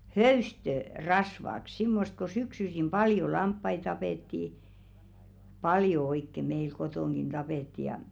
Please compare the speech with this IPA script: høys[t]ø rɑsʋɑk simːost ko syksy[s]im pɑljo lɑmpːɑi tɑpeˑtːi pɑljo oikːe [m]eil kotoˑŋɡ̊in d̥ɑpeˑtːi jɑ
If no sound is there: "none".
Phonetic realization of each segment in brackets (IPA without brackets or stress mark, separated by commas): t, s, m